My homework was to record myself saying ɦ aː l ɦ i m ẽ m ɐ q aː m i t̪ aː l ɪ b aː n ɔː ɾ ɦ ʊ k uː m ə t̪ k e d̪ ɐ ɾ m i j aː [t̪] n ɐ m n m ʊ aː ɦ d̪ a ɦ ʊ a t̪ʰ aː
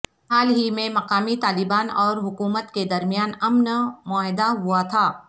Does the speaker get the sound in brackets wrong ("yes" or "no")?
yes